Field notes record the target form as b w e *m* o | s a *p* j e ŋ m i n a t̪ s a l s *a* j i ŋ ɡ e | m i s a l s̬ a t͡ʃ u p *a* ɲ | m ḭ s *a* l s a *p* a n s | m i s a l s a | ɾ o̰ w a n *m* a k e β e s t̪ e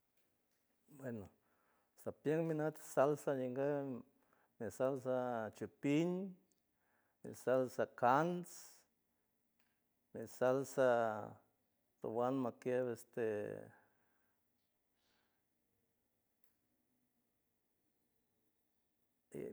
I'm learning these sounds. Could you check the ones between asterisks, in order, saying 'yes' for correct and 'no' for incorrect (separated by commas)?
no, yes, yes, no, yes, no, yes